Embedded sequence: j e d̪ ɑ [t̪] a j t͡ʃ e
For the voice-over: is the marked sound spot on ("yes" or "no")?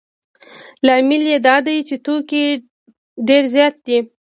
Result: no